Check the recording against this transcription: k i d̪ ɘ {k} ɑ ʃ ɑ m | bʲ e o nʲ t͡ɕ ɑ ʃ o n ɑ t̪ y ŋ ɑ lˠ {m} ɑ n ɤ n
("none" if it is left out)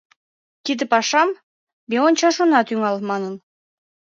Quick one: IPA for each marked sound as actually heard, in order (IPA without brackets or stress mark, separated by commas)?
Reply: p, m